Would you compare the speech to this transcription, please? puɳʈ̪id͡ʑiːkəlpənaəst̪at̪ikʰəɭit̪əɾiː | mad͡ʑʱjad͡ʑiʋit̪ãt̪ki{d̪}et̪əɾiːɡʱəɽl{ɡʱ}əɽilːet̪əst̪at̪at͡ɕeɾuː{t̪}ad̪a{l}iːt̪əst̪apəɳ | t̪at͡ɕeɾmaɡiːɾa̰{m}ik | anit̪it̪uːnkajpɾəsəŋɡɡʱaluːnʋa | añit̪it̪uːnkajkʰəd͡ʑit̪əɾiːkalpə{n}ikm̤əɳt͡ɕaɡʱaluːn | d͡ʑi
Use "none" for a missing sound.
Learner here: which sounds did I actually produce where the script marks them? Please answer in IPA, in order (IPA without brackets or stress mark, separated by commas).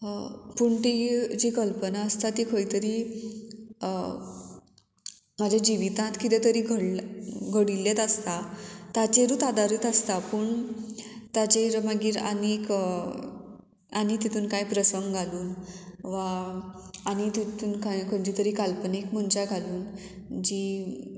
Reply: t̪, ɡʱ, t̪, ɾ, n, n